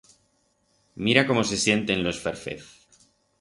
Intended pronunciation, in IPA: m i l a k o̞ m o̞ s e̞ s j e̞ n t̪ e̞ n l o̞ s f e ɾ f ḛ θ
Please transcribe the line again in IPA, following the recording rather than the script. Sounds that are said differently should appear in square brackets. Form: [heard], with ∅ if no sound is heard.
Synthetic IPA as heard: m i [ɾ] a k o̞ m o̞ s e̞ s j e̞ n t̪ e̞ n l o̞ s f e ɾ f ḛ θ